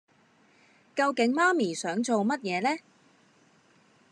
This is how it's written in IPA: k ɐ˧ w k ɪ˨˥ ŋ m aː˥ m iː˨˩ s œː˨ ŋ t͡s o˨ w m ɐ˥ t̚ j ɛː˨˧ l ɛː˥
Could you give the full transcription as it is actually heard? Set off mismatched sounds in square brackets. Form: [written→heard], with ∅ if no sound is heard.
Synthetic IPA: k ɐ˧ w k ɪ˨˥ ŋ m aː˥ m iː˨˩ s [œː˨→œː˨˥] ŋ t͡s o˨ w m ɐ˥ t̚ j ɛː˨˧ l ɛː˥